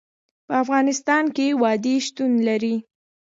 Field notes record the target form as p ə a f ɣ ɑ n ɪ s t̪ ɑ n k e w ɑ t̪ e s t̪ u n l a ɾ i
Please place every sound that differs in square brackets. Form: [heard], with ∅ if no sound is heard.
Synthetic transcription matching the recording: p ə a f ɣ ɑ n ɪ s t̪ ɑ n k e w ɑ [d̪] e [ʃ] t̪ u n l a ɾ i